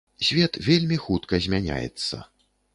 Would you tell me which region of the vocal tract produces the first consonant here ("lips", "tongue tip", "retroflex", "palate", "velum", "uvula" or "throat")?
tongue tip